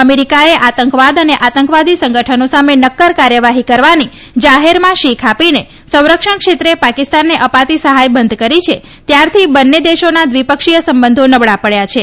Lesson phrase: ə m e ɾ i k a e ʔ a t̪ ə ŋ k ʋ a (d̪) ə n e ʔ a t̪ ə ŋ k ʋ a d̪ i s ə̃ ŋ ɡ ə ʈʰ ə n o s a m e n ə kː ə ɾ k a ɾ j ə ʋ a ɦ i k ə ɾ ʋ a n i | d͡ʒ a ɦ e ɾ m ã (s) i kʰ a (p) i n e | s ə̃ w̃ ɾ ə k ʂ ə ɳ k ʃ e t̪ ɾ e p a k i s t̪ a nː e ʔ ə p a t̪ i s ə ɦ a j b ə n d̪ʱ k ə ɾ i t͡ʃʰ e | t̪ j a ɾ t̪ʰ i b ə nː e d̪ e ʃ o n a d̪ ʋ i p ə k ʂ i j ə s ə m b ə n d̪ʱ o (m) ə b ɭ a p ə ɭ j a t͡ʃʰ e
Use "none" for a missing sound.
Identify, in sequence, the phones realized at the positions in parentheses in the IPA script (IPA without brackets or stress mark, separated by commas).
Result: d̪, ʃ, p, n